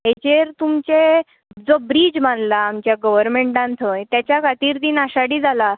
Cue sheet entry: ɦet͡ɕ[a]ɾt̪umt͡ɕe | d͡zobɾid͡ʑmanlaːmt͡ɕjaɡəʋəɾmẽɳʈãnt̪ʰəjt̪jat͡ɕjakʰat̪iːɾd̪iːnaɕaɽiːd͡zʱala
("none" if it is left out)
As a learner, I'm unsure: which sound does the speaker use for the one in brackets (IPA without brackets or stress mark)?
e